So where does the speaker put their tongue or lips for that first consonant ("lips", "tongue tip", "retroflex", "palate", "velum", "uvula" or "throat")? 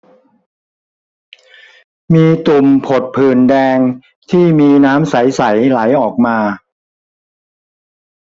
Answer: lips